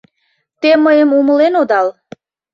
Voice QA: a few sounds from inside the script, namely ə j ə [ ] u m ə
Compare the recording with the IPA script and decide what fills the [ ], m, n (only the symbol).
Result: m